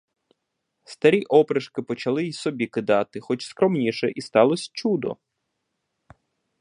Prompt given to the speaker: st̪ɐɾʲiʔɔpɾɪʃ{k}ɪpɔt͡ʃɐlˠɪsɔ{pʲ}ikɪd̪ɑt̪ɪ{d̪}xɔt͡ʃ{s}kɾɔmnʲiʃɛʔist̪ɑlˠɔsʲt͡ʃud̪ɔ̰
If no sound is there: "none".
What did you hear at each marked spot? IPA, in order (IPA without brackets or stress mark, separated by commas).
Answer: k, bʲ, none, s